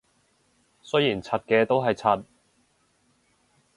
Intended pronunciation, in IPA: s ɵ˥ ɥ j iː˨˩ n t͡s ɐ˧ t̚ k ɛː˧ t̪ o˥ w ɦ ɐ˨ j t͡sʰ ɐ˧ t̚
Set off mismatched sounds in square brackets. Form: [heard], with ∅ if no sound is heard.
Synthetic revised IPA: s ɵ˥ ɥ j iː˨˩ n [t͡sʰ] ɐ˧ t̚ k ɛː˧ t̪ o˥ w ɦ ɐ˨ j t͡sʰ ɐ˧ t̚